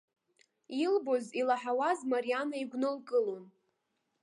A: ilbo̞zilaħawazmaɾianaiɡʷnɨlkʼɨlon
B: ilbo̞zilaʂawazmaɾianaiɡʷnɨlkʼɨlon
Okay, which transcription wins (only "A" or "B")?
A